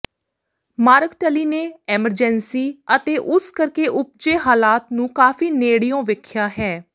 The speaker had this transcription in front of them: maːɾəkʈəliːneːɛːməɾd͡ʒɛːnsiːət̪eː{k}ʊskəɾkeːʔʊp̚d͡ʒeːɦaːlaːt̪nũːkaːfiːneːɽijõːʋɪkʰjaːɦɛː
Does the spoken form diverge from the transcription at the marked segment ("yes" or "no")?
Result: yes